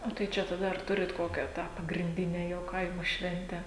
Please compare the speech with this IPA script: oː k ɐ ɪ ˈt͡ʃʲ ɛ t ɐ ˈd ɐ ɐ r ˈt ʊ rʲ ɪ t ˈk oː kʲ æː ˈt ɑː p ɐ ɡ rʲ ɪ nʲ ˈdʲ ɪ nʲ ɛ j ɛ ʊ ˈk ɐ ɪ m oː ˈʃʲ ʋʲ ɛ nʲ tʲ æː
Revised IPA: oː t ɐ ɪ ˈt͡ʃʲ ɛ t ɐ ˈd ɐ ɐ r ˈt ʊ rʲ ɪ t ˈk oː kʲ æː ˈt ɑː p ɐ ɡ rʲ ɪ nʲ ˈdʲ ɪ nʲ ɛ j ɛ ʊ ˈk ɐ ɪ m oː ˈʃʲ ʋʲ ɛ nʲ tʲ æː

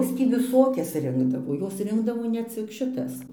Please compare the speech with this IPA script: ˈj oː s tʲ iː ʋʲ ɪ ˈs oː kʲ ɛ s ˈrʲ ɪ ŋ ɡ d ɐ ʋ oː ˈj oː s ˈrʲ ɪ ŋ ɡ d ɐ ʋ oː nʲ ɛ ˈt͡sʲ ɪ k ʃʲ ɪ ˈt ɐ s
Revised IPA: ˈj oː s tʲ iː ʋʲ ɪ ˈs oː kʲ ɛ s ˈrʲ ɪ ŋ ɡ d ɐ ʋ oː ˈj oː s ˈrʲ ɪ ŋ ɡ d ɐ ʋ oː nʲ ɛ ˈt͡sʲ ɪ k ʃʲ ɪ ˈt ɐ s

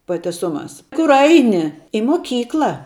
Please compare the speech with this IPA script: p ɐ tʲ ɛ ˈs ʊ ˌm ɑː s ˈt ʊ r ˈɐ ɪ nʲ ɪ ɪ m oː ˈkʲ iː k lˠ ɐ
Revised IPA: p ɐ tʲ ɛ ˈs ʊ ˌm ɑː s ˈk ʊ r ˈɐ ɪ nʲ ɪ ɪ m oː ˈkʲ iː k lˠ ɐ

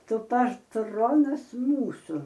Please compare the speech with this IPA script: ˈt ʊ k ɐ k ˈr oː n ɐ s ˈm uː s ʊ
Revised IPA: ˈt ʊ p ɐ t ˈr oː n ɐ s ˈm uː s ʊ

